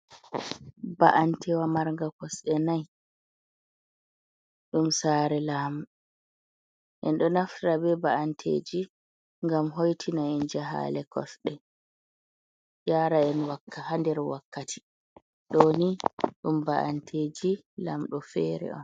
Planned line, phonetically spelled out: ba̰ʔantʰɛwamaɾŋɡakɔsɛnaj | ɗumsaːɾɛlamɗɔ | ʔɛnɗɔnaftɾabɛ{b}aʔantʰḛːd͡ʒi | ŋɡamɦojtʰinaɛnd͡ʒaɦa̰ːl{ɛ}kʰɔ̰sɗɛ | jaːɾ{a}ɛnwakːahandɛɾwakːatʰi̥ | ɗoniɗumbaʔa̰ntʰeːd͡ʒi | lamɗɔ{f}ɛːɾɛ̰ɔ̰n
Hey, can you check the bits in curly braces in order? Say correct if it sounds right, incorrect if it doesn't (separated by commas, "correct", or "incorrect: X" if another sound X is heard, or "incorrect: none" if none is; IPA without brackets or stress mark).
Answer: correct, correct, correct, correct